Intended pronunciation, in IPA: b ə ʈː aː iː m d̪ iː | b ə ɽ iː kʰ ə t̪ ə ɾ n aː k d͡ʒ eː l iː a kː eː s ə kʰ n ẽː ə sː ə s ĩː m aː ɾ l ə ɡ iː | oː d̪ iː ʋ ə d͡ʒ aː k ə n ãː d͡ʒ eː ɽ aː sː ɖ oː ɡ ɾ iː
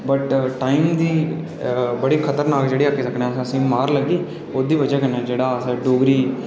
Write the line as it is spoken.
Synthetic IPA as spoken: b ə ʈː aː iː m d̪ iː | b ə ɽ iː kʰ ə t̪ ə ɾ n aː k d͡ʒ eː ɽ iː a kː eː s ə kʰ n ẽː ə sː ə s ĩː m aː ɾ l ə ɡ iː | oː d̪ iː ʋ ə d͡ʒ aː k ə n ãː d͡ʒ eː ɽ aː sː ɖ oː ɡ ɾ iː